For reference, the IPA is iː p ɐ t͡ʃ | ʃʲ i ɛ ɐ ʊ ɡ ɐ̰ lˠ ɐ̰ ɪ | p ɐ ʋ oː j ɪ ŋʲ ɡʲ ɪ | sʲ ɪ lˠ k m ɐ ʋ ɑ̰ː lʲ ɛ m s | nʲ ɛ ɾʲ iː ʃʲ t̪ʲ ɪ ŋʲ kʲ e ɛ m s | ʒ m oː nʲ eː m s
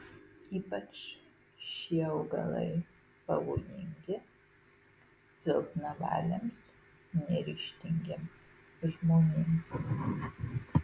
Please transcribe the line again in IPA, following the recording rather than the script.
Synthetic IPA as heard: iː p ɐ t͡ʃ | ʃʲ i ɛ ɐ ʊ ɡ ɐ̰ lˠ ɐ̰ ɪ | p ɐ ʋ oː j ɪ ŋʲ ɡʲ ɪ | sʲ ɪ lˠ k n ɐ ʋ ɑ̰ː lʲ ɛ m s | nʲ ɛ ɾʲ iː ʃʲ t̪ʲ ɪ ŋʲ ɡʲ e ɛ m s | ʒ m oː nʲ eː m s

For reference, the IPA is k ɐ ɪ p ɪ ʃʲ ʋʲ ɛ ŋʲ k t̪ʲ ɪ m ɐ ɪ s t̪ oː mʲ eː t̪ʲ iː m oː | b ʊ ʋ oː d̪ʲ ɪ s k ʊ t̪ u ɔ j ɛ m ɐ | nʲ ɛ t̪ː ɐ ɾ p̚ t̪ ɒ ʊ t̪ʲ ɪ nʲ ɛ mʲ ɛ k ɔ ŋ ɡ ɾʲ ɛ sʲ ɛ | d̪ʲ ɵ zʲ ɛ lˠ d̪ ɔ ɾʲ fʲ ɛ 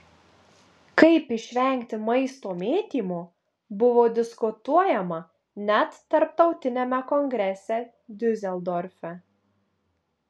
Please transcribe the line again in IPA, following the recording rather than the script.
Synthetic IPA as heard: k ɐ ɪ p ɪ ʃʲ ʋʲ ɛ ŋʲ k t̪ʲ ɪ m ɐ ɪ s t̪ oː mʲ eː t̪ʲ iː m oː | b ʊ ʋ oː d̪ʲ ɪ s k ʊ t̪ u ɔ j ɛ m ɐ | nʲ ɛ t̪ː ɐ ɾ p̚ t̪ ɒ ʊ t̪ʲ ɪ nʲ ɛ mʲ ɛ k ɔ ŋ ɡ ɾʲ ɛ sʲ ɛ | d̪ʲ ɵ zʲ ɛ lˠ d̪ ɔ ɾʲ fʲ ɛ

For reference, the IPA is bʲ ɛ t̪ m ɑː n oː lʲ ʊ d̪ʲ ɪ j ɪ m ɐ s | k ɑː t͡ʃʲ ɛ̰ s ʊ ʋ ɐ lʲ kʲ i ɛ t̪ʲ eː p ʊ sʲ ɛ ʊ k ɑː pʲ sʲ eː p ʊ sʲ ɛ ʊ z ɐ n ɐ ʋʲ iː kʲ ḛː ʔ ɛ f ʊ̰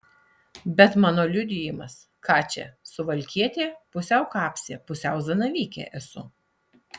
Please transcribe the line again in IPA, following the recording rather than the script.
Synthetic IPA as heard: bʲ ɛ t̪ m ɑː n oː lʲ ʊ d̪ʲ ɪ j ɪ m ɐ s | k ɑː t͡ʃʲ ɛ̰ s ʊ ʋ ɐ lʲ kʲ i ɛ t̪ʲ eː p ʊ sʲ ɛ ʊ k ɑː pʲ sʲ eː p ʊ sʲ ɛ ʊ z ɐ n ɐ ʋʲ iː kʲ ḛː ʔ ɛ s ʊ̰

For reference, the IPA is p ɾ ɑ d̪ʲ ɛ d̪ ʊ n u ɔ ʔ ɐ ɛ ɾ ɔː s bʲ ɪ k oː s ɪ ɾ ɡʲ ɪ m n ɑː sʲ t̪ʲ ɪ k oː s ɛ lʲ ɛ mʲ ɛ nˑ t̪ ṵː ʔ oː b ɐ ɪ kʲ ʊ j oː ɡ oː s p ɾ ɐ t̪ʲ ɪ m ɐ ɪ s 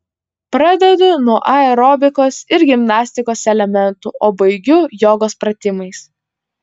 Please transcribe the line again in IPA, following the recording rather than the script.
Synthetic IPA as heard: p ɾ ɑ d̪ʲ ɛ d̪ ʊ n u ɔ ʔ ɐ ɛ ɾ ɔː bʲ ɪ k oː s ɪ ɾ ɡʲ ɪ m n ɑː sʲ t̪ʲ ɪ k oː s ɛ lʲ ɛ mʲ ɛ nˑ t̪ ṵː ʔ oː b ɐ ɪ ɡʲ ʊ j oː ɡ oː s p ɾ ɐ t̪ʲ ɪ m ɐ ɪ s

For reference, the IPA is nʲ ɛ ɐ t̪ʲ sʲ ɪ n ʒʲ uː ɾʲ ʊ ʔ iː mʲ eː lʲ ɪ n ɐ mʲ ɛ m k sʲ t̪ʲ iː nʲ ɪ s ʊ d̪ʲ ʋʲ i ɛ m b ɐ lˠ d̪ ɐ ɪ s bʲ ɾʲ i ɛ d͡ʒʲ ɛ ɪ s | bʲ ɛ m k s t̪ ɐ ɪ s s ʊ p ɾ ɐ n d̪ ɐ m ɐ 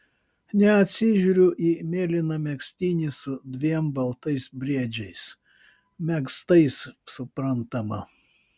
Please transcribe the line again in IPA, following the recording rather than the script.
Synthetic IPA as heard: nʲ ɛ ɐ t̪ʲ sʲ ɪ ʒʲ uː ɾʲ ʊ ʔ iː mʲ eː lʲ ɪ n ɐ mʲ ɛ k sʲ t̪ʲ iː nʲ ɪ s ʊ d̪ʲ ʋʲ i ɛ m b ɐ lˠ t̪ ɐ ɪ s bʲ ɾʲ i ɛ d͡ʒʲ ɛ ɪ s | mʲ ɛ k s t̪ ɐ ɪ s s ʊ p ɾ ɐ n t̪ ɐ m ɐ

